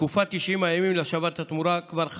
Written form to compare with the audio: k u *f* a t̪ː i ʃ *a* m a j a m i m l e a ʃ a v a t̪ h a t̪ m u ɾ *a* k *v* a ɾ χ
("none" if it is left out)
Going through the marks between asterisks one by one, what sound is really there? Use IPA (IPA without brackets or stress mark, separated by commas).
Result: f, i, a, v